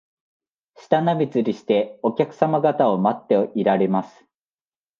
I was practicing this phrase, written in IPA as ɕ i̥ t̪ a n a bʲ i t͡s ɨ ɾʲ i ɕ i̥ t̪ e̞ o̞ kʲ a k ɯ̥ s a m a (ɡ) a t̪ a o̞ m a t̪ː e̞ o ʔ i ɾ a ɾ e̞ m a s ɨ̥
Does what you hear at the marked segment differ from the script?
no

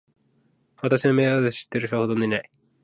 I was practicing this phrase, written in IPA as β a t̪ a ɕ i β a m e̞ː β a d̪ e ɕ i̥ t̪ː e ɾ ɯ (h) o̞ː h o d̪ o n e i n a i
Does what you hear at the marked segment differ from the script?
yes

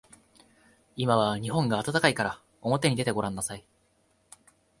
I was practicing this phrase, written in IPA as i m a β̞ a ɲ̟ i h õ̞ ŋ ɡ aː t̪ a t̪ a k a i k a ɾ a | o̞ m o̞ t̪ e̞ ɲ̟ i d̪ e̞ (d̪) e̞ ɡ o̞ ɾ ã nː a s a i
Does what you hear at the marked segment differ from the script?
yes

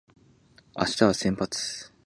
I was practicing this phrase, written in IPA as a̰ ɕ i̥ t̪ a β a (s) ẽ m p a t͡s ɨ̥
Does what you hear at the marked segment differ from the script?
no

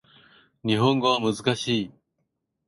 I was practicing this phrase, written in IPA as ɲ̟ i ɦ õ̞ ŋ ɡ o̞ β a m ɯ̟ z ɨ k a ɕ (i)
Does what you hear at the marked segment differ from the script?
yes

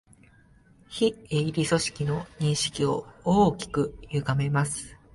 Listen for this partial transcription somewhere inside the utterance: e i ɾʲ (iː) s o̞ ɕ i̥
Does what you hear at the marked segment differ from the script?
yes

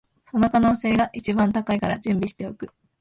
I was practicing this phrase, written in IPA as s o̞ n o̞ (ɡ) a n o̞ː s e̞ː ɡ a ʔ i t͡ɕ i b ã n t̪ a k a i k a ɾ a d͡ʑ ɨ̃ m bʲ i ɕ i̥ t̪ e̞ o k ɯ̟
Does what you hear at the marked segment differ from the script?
yes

